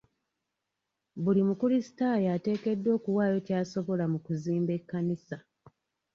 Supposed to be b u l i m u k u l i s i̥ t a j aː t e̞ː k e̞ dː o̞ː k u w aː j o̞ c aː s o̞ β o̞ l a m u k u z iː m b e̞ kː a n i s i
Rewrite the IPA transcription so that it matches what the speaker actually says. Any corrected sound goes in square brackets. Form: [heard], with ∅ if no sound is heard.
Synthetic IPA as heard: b u l i m u k u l i s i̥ t a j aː t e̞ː k e̞ dː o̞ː k u w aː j o̞ c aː s o̞ β o̞ l a m u k u z iː m b e̞ kː a n i s [a]